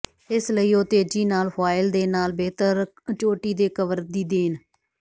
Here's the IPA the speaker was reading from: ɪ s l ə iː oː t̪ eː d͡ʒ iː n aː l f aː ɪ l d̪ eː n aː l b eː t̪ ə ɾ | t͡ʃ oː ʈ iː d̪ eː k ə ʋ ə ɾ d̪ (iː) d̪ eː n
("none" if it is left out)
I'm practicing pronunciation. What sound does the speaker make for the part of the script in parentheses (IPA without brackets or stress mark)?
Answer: iː